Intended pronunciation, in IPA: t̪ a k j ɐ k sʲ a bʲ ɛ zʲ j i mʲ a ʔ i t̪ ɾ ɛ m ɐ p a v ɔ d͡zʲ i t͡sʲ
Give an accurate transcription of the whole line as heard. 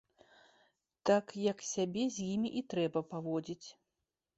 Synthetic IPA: t̪ a k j ɐ k sʲ a bʲ ɛ zʲ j i mʲ i ʔ i t̪ ɾ ɛ b ɐ p a v ɔ d͡zʲ i t͡sʲ